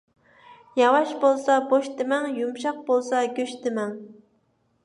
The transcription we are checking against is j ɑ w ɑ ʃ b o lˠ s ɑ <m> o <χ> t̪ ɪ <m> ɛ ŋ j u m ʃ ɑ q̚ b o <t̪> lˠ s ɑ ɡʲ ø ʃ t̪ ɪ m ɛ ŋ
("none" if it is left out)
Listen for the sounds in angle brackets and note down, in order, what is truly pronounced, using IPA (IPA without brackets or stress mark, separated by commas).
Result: b, ʃ, m, none